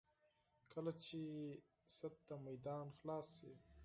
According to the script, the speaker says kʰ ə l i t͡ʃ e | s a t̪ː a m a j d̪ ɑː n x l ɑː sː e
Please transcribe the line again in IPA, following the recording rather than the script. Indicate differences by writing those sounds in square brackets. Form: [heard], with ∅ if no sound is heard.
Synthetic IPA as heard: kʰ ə l [a] t͡ʃ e | s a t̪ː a m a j d̪ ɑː n x l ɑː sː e